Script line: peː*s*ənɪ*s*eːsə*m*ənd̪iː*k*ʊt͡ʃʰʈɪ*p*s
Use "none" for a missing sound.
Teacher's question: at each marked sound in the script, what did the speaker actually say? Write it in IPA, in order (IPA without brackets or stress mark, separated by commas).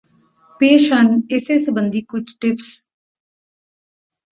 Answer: ʃ, s, b, k, p